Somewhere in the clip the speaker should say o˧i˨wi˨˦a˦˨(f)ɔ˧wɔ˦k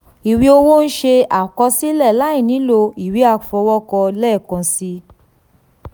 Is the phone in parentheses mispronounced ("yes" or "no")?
no